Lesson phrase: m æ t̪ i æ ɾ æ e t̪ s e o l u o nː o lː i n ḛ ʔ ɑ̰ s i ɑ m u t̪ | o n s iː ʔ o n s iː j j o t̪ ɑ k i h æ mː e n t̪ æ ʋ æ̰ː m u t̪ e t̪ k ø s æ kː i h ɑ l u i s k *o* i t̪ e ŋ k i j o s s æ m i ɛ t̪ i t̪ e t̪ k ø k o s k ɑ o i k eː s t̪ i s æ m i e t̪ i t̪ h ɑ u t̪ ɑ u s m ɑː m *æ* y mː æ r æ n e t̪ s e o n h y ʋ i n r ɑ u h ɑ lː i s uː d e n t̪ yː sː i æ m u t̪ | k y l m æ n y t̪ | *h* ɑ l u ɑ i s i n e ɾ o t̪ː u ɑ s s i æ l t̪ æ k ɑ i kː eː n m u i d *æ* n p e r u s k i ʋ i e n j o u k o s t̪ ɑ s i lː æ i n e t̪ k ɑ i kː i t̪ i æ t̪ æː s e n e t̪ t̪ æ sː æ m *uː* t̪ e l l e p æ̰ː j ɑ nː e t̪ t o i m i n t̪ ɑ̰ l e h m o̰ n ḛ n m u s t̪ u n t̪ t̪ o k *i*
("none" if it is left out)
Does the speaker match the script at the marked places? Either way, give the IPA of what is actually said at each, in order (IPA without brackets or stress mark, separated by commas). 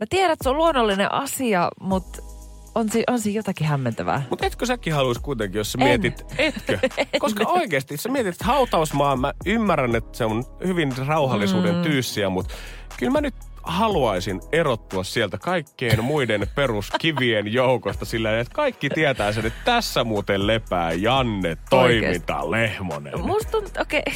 u, æ, h, e, uː, e